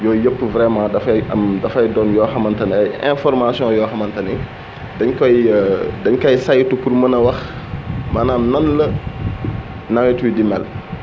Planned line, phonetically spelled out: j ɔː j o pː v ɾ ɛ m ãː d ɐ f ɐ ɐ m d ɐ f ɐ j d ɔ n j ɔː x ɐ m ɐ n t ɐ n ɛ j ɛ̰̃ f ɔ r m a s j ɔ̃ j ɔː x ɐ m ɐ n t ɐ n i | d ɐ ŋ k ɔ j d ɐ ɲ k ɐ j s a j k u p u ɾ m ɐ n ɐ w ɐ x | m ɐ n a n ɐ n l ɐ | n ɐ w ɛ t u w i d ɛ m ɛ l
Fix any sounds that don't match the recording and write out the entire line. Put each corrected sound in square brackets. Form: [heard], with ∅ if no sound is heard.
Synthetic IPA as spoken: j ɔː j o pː v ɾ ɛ m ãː d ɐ f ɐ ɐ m d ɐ f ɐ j d ɔ n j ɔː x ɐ m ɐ n t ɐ n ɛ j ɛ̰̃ f ɔ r m a s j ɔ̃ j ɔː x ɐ m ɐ n t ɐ n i | d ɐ [ɲ] k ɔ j d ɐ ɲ k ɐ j s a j [t] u p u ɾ m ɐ n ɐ w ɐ x | m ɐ n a n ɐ n l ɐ | n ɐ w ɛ t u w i d [i] m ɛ l